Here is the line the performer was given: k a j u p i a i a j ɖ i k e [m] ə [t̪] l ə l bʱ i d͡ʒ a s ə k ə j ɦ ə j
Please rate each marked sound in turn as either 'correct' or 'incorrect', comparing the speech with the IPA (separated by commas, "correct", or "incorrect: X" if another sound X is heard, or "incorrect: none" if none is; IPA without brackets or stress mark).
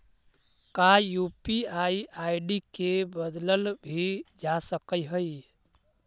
incorrect: b, incorrect: d̪